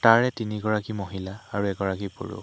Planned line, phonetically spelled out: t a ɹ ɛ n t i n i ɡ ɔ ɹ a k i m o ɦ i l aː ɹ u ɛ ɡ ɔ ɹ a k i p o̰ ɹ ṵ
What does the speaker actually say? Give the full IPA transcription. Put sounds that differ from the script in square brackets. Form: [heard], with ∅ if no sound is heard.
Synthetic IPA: t a ɹ ɛ [∅] t i n i ɡ ɔ ɹ a k i m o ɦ i l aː ɹ u ɛ ɡ ɔ ɹ a k i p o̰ ɹ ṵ